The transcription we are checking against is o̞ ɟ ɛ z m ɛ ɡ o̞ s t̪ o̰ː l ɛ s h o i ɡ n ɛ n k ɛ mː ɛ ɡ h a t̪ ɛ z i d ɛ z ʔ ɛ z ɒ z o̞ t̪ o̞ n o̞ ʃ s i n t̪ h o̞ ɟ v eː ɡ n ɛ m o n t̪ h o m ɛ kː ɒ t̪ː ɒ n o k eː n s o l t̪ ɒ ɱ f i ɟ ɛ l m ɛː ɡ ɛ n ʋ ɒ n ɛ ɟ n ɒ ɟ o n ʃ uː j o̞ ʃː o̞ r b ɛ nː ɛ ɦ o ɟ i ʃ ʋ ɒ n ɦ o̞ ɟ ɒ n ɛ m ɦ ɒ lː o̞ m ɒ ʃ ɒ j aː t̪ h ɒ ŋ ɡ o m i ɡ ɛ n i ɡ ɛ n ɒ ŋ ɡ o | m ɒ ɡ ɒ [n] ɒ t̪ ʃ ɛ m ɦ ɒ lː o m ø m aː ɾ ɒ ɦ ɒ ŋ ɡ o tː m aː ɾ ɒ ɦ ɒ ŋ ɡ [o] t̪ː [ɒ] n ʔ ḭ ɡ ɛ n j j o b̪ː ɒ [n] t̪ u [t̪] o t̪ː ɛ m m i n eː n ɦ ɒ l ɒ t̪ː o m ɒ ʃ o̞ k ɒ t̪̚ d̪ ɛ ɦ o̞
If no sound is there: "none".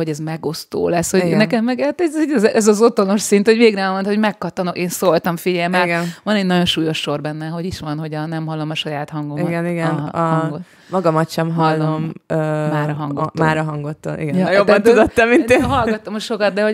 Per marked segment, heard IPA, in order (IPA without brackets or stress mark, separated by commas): m, o, o, n, d̪